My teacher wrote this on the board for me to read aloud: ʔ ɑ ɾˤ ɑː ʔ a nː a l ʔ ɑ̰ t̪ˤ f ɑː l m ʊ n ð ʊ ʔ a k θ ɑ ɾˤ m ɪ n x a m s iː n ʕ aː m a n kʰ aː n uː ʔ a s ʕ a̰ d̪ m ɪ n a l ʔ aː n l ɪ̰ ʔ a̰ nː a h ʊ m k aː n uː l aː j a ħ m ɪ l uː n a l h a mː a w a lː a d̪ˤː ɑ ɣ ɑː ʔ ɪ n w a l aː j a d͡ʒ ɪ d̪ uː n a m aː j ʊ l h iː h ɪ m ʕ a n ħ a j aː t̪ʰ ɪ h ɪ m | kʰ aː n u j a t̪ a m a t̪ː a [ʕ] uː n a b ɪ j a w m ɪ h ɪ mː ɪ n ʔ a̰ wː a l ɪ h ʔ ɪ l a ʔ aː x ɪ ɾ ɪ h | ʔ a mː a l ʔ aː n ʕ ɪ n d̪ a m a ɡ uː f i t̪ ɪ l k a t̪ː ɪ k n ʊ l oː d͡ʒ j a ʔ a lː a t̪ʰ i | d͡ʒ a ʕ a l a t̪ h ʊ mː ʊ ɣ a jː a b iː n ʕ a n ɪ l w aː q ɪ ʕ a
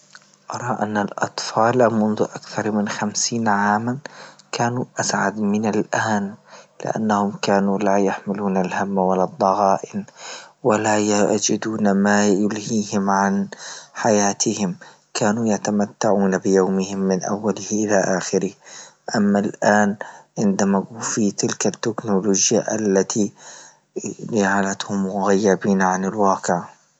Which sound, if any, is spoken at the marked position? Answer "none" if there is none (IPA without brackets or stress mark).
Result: ʕ